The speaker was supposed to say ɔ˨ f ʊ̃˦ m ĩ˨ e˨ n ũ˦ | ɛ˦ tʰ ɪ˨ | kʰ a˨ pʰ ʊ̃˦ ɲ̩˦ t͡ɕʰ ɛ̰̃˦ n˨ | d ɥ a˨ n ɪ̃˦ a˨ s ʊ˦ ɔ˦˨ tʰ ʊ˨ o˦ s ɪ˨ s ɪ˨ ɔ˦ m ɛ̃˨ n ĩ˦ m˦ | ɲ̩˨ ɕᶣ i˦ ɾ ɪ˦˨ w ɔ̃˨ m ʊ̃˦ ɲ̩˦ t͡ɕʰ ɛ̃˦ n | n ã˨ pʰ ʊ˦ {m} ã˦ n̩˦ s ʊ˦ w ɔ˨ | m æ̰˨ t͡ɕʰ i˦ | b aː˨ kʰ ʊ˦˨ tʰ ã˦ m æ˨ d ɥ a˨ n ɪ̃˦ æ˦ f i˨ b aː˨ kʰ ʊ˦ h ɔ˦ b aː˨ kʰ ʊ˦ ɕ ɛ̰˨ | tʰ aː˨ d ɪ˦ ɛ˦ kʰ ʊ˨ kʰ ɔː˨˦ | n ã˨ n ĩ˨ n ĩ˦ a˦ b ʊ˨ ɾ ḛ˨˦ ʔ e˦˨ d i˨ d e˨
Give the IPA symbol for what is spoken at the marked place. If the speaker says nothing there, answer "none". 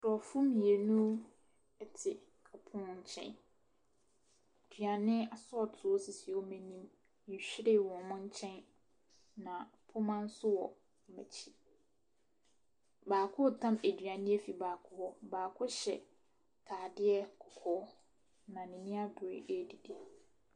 m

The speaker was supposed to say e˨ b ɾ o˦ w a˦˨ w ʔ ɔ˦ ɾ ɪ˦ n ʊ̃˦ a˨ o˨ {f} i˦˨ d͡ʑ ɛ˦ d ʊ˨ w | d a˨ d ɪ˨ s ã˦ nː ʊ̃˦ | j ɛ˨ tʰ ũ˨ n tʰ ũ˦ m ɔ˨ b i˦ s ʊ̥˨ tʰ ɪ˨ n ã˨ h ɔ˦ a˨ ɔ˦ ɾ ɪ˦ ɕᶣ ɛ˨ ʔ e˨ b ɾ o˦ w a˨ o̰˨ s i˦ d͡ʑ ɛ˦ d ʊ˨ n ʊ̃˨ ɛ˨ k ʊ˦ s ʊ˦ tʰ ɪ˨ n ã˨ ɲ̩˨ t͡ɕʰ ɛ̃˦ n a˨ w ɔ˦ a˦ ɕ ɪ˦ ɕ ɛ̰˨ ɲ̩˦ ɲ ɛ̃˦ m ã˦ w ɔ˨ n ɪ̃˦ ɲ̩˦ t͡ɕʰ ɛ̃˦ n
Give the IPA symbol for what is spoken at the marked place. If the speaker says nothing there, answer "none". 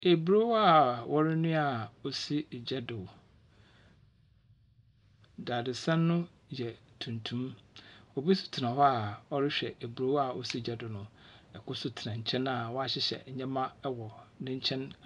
s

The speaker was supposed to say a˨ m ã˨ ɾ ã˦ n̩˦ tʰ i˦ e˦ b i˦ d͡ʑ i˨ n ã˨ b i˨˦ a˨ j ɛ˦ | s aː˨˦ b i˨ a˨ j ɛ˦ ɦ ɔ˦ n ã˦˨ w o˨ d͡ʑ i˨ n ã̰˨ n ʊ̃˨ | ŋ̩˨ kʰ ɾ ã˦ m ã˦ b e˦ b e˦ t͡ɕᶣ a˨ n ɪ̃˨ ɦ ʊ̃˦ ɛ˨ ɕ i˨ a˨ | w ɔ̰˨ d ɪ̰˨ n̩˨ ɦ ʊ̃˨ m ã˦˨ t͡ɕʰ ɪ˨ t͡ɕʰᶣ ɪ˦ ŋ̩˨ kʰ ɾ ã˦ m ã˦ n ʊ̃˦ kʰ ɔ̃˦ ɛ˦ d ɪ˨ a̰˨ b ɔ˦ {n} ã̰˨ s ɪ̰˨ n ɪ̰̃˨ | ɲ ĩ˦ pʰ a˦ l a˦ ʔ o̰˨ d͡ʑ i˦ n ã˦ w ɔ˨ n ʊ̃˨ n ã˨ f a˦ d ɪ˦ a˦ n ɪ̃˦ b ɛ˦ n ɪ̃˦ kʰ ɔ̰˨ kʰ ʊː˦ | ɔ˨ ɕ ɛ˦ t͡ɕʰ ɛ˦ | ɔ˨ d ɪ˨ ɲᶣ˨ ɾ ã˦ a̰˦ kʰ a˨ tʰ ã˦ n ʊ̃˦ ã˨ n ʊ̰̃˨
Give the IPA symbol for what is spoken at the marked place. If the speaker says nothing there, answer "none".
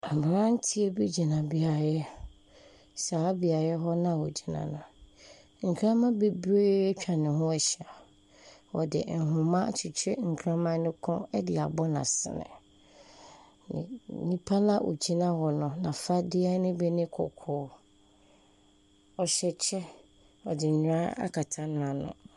n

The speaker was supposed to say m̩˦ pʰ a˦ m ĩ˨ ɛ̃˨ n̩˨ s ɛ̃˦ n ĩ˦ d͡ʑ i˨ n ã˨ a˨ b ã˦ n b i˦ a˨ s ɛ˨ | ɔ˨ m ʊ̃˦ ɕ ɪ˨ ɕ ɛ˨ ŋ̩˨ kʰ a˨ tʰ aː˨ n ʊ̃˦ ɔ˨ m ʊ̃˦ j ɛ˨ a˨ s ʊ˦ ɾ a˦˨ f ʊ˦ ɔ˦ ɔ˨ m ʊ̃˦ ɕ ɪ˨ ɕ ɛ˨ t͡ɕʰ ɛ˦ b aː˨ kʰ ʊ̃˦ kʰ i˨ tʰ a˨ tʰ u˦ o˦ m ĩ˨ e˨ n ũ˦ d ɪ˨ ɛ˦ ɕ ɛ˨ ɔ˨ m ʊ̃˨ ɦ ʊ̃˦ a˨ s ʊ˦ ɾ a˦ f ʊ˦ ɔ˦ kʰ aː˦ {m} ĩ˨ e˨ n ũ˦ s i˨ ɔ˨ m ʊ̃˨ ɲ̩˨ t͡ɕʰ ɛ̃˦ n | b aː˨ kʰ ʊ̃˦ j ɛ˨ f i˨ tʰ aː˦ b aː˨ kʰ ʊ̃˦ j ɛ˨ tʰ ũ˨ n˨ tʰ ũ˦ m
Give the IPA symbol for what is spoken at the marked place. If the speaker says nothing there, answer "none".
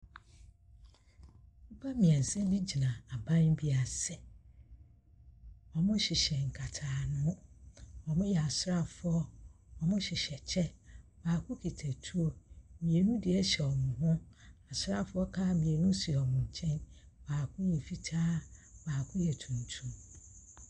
m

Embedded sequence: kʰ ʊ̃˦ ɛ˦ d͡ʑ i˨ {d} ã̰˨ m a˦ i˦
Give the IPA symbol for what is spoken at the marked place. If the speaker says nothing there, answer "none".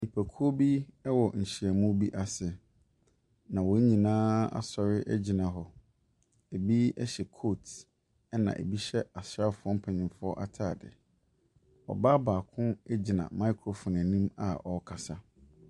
n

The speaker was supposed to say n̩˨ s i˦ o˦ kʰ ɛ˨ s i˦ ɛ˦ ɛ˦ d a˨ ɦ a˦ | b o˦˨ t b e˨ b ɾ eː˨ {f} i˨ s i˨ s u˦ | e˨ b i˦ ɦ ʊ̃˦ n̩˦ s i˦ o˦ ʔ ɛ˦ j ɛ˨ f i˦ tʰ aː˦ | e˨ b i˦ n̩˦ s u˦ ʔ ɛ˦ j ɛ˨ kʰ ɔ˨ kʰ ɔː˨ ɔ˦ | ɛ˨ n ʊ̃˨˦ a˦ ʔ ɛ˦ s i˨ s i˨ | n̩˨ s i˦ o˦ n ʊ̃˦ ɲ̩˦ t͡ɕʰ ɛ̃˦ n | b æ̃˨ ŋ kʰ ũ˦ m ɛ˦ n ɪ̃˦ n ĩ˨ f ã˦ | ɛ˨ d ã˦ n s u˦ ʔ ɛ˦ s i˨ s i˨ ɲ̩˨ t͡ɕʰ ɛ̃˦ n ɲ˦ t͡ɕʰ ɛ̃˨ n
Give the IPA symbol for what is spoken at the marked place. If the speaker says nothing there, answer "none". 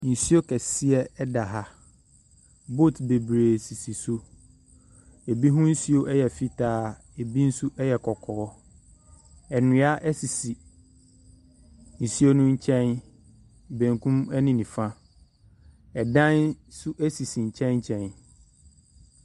s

